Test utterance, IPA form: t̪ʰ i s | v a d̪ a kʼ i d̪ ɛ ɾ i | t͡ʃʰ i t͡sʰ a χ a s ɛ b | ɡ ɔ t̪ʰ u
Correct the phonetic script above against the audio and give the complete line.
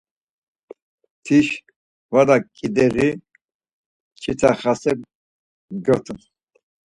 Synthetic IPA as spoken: t̪ʰ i ʃ | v a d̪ a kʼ i d̪ ɛ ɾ i | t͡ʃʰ i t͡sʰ a χ a s ɛ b | ɡ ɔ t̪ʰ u